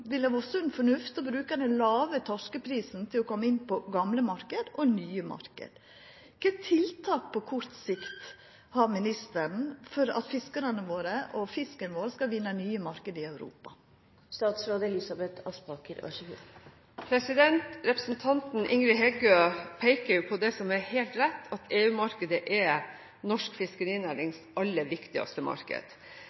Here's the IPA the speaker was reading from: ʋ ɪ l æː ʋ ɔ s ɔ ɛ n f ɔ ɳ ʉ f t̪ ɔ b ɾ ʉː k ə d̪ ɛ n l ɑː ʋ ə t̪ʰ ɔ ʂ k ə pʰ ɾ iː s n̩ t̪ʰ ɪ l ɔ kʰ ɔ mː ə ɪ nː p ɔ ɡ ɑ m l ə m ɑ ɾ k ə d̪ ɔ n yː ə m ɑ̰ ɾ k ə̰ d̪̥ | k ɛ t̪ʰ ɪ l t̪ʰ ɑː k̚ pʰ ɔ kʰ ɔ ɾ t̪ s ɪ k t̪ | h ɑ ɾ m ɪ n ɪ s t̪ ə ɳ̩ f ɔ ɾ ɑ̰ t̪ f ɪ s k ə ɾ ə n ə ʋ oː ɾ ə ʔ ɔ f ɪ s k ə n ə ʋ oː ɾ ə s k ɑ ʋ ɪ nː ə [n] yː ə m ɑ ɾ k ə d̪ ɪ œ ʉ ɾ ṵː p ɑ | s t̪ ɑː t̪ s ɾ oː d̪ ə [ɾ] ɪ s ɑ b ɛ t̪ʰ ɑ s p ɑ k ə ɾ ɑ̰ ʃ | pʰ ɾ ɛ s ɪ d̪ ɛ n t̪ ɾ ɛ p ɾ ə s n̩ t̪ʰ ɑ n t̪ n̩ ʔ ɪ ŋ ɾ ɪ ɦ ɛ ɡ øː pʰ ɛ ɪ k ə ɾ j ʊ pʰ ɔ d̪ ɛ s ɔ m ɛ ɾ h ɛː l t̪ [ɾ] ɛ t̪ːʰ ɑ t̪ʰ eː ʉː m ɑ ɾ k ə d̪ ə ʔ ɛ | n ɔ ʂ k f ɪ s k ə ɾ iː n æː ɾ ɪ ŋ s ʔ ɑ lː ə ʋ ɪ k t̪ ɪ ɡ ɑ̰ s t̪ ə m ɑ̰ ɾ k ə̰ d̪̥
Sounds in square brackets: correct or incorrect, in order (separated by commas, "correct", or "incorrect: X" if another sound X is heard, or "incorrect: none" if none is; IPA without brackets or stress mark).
correct, incorrect: l, correct